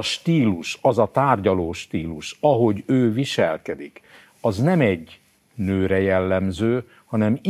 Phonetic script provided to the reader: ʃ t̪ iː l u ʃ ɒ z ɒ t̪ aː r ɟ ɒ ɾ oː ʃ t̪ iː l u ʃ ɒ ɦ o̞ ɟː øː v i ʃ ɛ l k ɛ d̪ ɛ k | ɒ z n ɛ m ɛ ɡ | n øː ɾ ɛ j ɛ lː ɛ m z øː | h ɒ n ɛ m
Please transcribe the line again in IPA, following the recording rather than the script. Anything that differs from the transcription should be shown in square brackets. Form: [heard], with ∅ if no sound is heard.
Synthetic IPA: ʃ t̪ iː l u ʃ ɒ z ɒ t̪ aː r ɟ ɒ [l] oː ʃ t̪ iː l u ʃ ɒ ɦ o̞ [ɟ] øː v i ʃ ɛ l k ɛ d̪ [i] k | ɒ z n ɛ m ɛ [ɟ] | n øː ɾ ɛ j ɛ lː ɛ m z øː | h ɒ n ɛ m